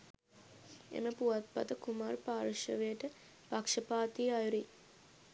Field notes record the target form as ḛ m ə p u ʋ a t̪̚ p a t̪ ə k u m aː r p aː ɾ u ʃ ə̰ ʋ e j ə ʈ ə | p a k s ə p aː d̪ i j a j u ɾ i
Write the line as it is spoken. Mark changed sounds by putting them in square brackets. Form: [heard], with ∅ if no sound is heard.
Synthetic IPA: ḛ m ə p u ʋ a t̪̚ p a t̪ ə k u m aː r p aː ɾ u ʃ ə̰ ʋ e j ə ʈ ə | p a k [ʂ] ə p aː [t̪] i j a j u ɾ i